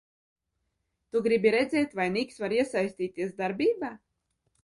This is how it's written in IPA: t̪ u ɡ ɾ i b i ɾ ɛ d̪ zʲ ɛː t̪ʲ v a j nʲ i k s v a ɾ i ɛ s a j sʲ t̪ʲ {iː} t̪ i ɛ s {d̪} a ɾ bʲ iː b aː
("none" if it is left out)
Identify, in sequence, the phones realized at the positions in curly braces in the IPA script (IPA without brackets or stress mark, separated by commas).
iː, d̪